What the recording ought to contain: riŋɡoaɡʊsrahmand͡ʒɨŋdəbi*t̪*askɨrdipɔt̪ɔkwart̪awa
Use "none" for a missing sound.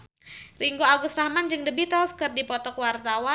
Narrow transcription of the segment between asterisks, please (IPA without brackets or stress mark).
t̪